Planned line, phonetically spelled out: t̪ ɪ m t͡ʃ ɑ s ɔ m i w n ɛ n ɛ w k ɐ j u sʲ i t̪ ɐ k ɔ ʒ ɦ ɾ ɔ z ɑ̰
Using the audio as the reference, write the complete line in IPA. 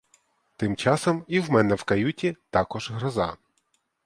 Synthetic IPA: t̪ ɪ m t͡ʃ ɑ s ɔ m i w m ɛ n ɛ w k ɐ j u tʲ i t̪ ɑ k ɔ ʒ ɦ ɾ ɔ z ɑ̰